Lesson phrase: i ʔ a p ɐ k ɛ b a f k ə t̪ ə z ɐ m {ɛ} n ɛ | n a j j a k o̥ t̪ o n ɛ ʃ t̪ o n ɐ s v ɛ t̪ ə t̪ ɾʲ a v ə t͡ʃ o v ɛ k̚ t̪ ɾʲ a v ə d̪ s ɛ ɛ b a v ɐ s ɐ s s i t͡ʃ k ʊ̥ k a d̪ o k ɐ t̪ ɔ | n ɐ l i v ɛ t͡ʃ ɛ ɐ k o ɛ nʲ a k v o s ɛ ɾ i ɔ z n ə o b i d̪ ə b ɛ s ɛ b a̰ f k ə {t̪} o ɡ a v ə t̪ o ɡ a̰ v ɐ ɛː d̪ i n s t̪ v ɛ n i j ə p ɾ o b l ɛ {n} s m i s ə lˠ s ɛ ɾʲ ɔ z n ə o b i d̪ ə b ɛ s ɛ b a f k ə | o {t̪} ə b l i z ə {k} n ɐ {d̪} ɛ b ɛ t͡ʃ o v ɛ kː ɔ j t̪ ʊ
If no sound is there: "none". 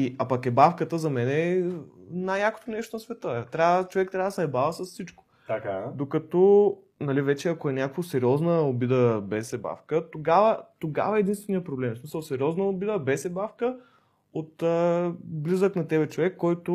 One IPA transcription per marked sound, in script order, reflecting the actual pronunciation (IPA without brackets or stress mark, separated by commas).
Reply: ɛ, t̪, m, t̪, k, t̪